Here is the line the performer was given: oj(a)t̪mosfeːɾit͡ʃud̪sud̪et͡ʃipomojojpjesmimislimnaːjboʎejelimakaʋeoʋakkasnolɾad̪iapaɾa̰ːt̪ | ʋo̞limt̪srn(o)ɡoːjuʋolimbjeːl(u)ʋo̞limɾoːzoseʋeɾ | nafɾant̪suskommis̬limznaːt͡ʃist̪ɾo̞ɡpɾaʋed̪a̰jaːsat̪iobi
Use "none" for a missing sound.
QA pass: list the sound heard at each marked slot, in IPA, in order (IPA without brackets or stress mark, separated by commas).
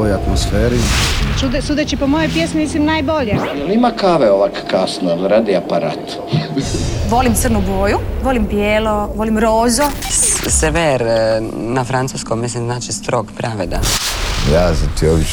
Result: a, u, o